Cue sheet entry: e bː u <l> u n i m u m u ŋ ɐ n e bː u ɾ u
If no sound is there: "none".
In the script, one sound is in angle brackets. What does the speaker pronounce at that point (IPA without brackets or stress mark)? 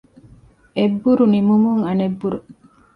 ɾ